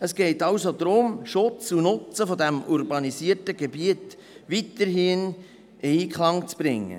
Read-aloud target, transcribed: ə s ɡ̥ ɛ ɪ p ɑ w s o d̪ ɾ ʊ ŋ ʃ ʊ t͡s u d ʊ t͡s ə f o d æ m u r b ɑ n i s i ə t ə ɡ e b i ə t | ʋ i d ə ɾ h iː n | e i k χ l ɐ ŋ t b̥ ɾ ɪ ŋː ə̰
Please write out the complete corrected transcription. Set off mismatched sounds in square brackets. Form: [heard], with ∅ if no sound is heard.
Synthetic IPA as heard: ə s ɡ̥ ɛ ɪ [t] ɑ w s o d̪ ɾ ʊ [m] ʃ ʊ t͡s u [n] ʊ t͡s ə f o d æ m u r b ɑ n i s i ə t ə ɡ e b i ə t | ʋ i [t] ə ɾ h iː n | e i k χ l [ɑ] ŋ [t͡s] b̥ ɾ ɪ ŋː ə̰